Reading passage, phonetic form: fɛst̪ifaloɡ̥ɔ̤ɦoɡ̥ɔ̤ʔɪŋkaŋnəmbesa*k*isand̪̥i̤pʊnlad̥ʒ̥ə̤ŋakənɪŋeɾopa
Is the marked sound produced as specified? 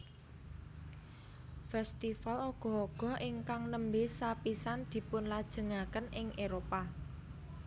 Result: no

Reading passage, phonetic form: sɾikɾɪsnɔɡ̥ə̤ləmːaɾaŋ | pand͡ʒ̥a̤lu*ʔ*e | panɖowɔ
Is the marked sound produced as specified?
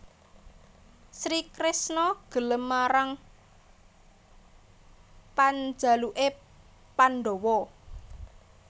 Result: yes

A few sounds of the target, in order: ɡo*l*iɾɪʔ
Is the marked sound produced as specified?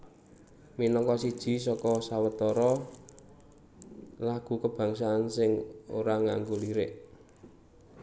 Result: yes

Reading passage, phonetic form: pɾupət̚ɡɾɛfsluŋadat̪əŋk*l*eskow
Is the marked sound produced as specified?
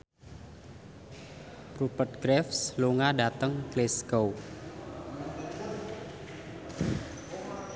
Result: yes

